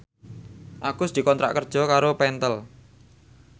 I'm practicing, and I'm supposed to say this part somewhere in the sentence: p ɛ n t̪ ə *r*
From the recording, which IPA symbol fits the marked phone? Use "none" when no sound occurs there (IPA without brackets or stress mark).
l